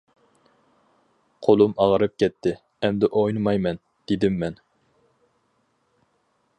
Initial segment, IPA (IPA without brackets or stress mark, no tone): qʰ